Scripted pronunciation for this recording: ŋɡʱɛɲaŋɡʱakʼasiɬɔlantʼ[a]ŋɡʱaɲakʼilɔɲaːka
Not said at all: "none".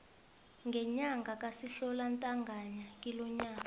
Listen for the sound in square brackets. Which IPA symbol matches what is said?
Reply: a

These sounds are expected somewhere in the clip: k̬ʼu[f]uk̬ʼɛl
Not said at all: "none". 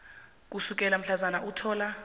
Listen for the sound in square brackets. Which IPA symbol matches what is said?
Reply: s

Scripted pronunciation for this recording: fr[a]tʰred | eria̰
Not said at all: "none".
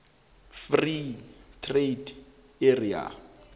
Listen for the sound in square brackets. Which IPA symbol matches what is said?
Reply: i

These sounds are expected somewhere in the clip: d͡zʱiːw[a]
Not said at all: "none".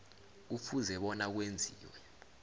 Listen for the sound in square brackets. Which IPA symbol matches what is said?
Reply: ɛ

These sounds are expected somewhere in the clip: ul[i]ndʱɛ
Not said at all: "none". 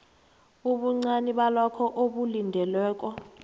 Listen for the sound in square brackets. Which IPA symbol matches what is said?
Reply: i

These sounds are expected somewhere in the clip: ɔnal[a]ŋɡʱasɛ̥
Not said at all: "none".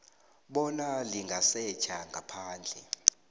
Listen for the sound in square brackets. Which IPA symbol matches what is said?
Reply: i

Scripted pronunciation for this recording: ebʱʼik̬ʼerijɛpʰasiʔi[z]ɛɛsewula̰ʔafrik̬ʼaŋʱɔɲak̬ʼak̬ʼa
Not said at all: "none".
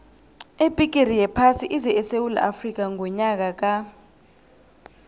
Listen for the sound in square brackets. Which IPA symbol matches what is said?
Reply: z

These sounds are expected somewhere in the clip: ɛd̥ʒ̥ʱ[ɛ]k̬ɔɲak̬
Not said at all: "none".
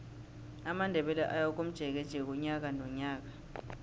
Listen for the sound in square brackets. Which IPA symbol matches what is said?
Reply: ɛ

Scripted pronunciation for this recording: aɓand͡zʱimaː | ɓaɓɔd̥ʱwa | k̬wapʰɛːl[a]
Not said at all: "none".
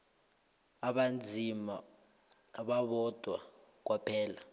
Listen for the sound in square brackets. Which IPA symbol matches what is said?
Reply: a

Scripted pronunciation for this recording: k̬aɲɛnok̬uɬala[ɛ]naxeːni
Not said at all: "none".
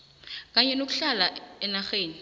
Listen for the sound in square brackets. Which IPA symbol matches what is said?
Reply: ɛ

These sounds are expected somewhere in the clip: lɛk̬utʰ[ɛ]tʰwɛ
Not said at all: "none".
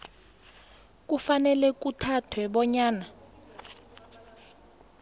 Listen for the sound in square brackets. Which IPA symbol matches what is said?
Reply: a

